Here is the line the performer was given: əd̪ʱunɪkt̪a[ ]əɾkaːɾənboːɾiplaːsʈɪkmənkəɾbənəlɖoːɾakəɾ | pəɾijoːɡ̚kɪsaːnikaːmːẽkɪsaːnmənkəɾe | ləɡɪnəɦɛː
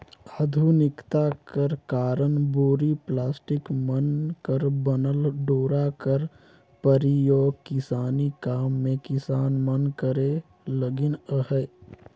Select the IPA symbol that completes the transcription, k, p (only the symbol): k